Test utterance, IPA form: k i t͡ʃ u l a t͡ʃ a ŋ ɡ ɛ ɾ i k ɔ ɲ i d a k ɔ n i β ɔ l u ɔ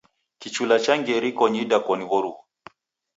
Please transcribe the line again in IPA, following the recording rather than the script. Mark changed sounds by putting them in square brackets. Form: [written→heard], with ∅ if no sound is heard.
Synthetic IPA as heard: k i t͡ʃ u l a t͡ʃ a ŋ ɡ ɛ ɾ i k ɔ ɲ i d a k ɔ n i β ɔ [l→ɾ] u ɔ